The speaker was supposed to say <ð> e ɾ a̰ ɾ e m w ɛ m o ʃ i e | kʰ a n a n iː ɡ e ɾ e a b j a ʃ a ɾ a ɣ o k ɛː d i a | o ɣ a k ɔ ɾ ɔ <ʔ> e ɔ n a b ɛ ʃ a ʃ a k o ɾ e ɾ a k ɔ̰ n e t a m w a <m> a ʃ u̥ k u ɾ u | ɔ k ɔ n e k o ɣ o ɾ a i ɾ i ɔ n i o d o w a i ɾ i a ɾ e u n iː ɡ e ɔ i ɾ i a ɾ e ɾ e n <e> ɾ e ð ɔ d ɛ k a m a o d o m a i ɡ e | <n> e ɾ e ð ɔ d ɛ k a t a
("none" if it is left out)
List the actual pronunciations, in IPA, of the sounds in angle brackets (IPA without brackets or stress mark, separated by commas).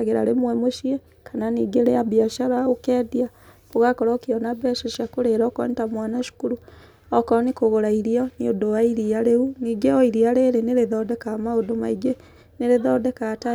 ɣ, k, n, e, n